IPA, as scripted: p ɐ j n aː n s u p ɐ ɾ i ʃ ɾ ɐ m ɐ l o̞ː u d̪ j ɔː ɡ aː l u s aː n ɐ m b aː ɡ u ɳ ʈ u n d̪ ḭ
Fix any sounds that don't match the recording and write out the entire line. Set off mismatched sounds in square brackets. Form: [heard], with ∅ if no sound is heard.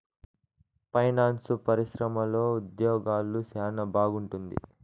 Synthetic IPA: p ɐ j n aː n s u p ɐ ɾ i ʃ ɾ ɐ m ɐ l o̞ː u d̪ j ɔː ɡ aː l u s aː n ɐ [∅] b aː ɡ u ɳ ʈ u n d̪ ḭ